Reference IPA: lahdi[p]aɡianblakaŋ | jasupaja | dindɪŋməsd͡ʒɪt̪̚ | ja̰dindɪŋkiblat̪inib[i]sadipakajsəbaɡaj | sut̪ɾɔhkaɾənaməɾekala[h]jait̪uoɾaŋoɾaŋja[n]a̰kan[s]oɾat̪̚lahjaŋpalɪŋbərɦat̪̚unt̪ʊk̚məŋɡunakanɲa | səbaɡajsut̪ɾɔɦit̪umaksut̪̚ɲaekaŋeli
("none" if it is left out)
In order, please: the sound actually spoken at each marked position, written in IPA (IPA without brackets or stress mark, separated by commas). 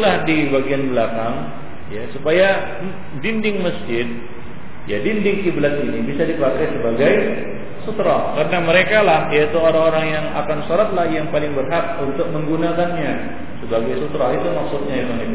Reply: b, i, h, ŋ, s